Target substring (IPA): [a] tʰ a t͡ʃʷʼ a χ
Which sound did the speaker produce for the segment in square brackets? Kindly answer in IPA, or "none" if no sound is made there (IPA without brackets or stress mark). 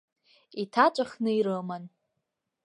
i